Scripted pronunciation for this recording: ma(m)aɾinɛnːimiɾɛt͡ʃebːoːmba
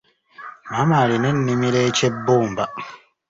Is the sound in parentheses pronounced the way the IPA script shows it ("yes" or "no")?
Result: yes